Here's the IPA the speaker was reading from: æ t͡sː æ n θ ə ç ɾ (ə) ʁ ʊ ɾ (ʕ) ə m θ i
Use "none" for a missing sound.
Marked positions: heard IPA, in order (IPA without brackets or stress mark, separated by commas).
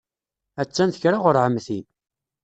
a, ʕ